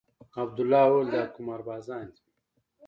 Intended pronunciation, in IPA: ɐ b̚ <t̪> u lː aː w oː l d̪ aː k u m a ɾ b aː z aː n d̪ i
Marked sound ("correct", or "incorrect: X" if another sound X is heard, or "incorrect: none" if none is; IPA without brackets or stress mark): incorrect: d̪